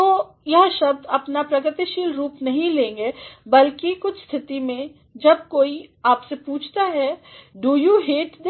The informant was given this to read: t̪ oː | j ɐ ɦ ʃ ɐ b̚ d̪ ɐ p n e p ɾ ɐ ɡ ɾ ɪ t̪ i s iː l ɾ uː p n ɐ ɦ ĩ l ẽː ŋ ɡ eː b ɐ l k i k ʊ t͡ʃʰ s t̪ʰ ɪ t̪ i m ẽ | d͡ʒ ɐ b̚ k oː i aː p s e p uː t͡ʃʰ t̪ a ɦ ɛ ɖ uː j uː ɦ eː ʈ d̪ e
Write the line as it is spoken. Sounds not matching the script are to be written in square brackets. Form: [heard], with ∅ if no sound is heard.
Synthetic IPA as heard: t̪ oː | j ɐ ɦ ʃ ɐ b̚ d̪ ɐ p n [a] p ɾ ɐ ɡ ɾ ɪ t̪ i [ʃ] iː l ɾ uː p n ɐ ɦ ĩ l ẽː ŋ ɡ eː b ɐ l k i k ʊ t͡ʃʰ s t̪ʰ ɪ t̪ i m ẽ | d͡ʒ ɐ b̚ k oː i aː p s e p uː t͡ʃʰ t̪ a ɦ ɛ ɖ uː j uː ɦ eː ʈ d̪ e